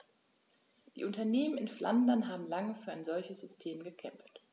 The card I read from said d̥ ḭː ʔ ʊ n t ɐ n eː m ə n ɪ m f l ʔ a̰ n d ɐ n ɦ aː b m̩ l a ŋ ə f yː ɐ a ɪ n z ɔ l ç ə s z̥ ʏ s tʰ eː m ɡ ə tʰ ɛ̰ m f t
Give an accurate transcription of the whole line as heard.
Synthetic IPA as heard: d̥ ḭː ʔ ʊ n t ɐ n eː m ə n ɪ n f l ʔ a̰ n d ɐ n ɦ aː b m̩ l a ŋ ə f yː ɐ a ɪ n z ɔ l ç ə s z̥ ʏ s tʰ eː m ɡ ə kʰ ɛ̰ m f t